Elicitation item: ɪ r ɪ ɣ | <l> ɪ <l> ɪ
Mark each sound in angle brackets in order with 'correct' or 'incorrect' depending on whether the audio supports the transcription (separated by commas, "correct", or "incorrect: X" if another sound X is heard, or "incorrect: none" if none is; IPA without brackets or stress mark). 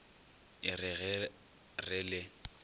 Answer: incorrect: r, correct